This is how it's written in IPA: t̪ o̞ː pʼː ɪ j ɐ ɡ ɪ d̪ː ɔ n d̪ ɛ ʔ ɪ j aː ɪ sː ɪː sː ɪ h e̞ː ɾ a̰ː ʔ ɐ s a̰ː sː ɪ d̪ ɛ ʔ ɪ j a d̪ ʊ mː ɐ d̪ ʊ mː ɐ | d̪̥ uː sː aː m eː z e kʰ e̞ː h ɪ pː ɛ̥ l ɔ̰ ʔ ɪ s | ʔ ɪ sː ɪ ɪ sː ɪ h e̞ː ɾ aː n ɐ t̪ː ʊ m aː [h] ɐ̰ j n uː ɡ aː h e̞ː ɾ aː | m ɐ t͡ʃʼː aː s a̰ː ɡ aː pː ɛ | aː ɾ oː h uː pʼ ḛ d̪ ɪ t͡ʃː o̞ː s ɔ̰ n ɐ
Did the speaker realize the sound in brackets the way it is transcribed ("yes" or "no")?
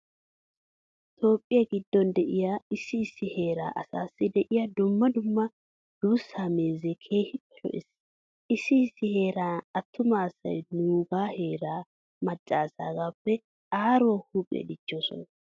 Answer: no